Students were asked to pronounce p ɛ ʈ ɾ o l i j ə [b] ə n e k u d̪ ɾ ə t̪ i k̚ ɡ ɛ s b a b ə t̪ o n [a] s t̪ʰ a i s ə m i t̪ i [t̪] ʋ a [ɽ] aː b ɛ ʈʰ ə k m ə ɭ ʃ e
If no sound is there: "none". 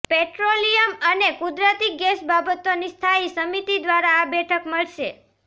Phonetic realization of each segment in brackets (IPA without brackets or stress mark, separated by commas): m, i, d̪, ɾ